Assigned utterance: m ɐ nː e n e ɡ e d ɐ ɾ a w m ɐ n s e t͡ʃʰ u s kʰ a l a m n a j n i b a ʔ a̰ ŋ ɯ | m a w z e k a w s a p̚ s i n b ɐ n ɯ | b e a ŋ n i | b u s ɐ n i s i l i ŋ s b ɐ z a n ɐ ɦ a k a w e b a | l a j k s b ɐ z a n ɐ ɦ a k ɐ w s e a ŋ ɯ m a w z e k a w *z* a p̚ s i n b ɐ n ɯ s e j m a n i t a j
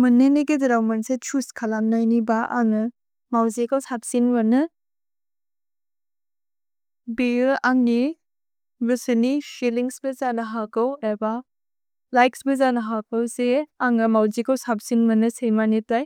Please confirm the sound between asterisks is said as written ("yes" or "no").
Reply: no